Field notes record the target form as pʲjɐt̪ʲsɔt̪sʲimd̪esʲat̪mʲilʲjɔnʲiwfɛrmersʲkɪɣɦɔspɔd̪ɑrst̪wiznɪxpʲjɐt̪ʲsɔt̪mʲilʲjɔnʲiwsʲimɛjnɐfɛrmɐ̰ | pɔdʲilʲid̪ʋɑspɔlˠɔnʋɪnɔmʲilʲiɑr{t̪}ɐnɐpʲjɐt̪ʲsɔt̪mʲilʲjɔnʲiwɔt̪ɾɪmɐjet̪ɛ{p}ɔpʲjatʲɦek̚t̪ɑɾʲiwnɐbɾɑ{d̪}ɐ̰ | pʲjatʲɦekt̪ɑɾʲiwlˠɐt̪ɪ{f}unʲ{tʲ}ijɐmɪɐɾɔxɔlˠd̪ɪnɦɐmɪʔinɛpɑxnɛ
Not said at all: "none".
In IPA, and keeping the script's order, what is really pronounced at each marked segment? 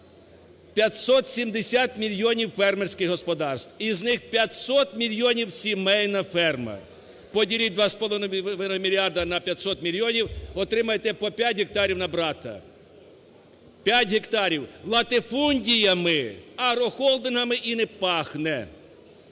d̪, p, t̪, f, dʲ

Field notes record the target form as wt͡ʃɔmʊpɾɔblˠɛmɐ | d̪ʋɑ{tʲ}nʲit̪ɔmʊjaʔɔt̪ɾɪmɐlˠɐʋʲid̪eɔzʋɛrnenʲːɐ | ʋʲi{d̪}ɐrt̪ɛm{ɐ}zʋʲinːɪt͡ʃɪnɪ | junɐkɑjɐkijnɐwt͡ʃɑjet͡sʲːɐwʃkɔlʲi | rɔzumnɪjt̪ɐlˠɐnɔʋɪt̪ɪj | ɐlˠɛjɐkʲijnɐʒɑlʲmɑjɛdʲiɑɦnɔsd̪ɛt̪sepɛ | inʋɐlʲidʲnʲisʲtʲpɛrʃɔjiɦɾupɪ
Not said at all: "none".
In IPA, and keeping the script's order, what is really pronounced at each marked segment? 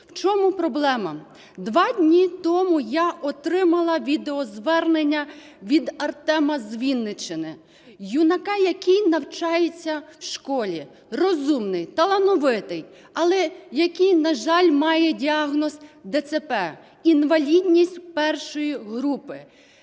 dʲ, d̪, ɐ

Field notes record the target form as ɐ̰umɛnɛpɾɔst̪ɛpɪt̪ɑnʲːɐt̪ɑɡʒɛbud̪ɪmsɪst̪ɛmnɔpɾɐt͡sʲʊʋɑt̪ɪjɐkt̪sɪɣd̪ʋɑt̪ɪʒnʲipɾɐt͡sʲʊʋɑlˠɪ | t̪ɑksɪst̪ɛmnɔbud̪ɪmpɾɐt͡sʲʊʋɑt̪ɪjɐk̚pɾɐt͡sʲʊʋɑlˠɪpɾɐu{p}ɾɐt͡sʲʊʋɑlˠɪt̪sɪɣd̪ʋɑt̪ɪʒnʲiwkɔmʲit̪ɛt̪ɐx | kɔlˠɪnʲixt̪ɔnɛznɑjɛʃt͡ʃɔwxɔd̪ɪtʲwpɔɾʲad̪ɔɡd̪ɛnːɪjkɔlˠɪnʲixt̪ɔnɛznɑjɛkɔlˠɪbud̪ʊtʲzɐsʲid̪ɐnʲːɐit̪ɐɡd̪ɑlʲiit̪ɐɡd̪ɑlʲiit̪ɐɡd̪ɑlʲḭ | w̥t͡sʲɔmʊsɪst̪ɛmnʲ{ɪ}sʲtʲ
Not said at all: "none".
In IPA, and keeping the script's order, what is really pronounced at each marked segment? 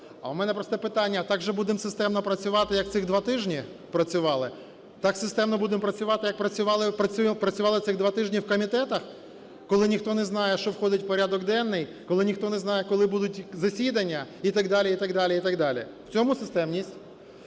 p, i

